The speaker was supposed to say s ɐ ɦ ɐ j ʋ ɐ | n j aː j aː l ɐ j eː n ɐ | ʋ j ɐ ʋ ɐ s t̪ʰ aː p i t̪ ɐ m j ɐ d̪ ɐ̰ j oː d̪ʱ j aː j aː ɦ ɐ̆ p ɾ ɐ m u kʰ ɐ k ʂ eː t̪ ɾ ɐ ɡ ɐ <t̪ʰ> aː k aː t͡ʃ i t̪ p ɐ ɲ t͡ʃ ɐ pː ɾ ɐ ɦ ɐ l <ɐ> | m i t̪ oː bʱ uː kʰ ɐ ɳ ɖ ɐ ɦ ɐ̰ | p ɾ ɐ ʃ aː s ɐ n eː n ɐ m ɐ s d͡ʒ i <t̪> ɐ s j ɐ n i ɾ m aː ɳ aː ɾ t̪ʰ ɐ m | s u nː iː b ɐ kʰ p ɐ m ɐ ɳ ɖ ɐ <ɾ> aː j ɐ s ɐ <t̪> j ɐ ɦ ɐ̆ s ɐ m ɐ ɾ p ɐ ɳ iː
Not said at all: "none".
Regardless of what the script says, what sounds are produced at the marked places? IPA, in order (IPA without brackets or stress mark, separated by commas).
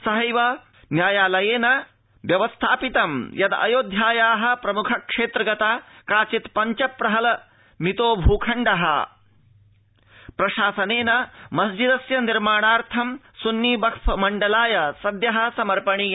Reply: t̪, ɐ, d̪, l, d̪